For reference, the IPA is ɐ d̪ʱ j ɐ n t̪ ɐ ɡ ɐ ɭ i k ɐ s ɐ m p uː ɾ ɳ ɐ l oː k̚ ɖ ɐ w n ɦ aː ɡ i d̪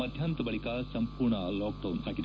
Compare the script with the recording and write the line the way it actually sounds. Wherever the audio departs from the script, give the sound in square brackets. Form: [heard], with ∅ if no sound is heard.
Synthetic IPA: ɐ d̪ʱ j ɐ n t̪ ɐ [b] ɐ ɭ i k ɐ s ɐ m p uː ɾ ɳ ɐ l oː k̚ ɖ ɐ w n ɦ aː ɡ i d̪